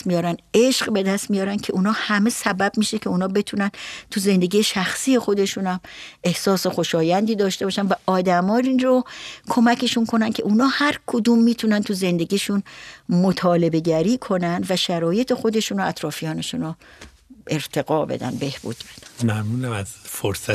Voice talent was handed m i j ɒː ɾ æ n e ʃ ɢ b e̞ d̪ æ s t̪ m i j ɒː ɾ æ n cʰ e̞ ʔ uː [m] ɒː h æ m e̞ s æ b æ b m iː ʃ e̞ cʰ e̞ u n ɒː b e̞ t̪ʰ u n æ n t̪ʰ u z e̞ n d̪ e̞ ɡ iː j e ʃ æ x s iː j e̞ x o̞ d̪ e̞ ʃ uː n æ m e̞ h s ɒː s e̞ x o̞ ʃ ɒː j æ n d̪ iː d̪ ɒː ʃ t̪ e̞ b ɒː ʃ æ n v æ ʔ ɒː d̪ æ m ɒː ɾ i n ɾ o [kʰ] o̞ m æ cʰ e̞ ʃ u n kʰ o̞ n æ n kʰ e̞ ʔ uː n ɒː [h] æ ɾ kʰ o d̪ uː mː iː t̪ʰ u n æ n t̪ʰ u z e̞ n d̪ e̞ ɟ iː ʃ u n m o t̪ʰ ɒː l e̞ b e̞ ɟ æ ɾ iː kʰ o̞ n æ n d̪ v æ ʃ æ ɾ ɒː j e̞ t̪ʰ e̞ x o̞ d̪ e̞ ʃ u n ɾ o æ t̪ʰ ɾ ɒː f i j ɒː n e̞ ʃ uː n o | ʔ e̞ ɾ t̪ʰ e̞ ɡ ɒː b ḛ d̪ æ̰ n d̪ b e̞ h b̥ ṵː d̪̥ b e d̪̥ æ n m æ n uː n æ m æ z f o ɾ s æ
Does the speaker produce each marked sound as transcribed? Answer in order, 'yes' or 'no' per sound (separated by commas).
no, yes, yes